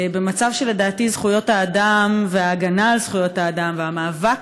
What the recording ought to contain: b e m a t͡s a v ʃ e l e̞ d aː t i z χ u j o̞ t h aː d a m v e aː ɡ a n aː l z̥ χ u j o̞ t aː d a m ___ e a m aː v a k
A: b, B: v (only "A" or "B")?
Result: B